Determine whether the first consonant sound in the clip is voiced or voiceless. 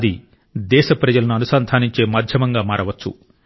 voiced